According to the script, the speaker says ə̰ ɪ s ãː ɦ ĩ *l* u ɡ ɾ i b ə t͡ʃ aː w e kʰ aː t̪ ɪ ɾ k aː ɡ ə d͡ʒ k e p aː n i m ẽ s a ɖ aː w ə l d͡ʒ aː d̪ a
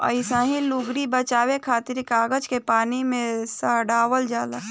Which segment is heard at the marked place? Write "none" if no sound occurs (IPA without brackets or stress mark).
l